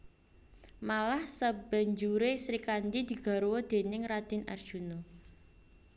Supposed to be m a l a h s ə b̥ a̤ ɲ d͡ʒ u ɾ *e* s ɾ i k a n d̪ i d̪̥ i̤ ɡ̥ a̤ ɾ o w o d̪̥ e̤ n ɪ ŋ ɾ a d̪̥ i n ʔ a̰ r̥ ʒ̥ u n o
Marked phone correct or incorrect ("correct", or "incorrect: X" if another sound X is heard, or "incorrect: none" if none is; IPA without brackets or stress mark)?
correct